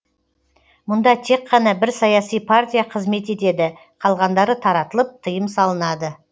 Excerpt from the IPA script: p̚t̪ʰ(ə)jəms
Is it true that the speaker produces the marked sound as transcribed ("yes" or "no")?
yes